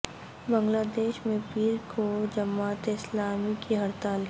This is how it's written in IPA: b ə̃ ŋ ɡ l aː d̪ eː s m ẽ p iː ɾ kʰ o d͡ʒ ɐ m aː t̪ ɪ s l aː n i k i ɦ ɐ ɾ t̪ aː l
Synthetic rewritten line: b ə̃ ŋ ɡ l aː d̪ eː ʃ m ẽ p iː ɾ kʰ o d͡ʒ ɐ m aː t̪ ɪ s l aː m i k i ɦ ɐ ɾ t̪ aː l

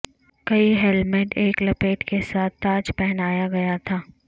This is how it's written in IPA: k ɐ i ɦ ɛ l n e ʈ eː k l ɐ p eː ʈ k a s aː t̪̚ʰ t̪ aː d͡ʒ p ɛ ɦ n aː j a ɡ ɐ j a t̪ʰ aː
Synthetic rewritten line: k ɐ i ɦ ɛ l m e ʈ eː k l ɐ p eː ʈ k e s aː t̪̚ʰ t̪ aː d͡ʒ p ɛ ɦ n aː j a ɡ ɐ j a t̪ʰ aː

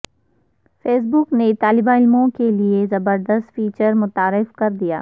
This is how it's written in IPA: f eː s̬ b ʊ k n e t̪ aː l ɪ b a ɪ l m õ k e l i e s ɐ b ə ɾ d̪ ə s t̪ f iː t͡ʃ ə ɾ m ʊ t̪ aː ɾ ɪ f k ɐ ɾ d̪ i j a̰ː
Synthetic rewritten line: f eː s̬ b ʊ k n e t̪ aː l ɪ b a ɪ l m õ k e l i e z ɐ b ə ɾ d̪ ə s t̪ f iː t͡ʃ ə ɾ m ʊ t̪ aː ɾ ɪ f k ɐ ɾ d̪ i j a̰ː

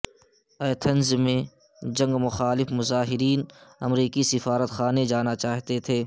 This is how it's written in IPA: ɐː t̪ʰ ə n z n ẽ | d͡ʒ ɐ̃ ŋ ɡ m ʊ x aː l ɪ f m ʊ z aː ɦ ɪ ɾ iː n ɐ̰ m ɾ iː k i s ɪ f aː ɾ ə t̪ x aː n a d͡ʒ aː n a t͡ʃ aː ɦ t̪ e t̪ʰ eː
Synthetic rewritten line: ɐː t̪ʰ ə n z m ẽ | d͡ʒ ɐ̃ ŋ ɡ m ʊ x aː l ɪ f m ʊ z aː ɦ ɪ ɾ iː n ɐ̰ m ɾ iː k i s ɪ f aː ɾ ə t̪ x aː n e d͡ʒ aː n a t͡ʃ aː ɦ t̪ e t̪ʰ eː

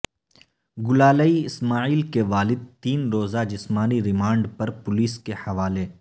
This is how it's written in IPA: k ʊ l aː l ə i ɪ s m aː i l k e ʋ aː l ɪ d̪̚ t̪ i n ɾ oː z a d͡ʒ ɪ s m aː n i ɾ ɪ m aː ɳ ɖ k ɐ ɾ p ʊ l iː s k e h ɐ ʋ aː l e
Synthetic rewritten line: ɡ ʊ l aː l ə i ɪ s m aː iː l k e ʋ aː l ɪ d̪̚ t̪ iː n ɾ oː z a d͡ʒ ɪ s m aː n i ɾ ɪ m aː ɳ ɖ p ɐ ɾ p ʊ l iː s k e h ɐ ʋ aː l e

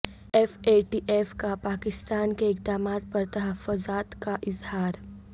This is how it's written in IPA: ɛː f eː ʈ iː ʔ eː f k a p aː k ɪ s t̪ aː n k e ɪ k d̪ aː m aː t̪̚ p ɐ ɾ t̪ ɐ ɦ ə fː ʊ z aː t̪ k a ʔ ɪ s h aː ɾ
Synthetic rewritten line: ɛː f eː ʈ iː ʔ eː f k a p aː k ɪ s t̪ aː n k e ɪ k d̪ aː m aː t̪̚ p ɐ ɾ t̪ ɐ ɦ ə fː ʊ z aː t̪ k a ʔ ɪ z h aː ɾ

